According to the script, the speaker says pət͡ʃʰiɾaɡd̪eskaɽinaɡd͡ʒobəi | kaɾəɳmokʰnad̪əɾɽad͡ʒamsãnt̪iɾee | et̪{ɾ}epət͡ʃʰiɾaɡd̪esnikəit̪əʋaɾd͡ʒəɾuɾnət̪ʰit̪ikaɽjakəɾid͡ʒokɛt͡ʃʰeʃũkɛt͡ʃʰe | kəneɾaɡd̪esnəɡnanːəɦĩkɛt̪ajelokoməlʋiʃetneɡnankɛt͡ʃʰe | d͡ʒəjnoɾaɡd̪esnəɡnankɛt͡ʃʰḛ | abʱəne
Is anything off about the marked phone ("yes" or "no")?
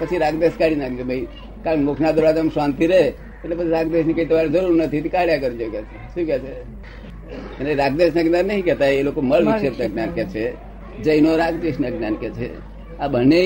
yes